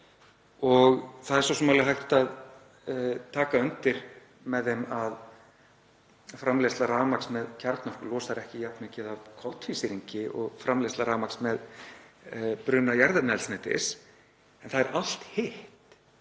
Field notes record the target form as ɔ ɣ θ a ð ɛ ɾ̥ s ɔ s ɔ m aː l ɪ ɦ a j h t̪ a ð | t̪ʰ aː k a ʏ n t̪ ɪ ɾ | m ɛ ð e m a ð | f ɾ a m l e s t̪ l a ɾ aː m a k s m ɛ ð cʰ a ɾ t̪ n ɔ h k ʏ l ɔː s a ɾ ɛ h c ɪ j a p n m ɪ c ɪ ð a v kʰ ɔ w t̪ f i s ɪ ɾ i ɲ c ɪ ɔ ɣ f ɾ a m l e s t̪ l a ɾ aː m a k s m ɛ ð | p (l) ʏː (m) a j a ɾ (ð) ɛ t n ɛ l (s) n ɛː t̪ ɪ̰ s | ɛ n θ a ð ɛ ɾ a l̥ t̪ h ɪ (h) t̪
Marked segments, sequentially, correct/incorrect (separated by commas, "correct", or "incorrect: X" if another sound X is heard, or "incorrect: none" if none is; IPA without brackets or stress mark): incorrect: ɾ, incorrect: n, correct, correct, correct